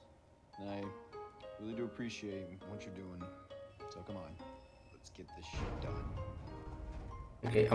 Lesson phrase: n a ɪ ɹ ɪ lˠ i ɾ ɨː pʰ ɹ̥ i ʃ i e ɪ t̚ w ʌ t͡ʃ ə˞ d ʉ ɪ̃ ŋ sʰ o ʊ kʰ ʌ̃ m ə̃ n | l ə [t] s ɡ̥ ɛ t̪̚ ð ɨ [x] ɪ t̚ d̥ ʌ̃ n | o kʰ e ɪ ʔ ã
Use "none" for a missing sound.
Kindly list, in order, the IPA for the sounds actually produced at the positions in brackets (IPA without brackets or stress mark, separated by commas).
t, ʃ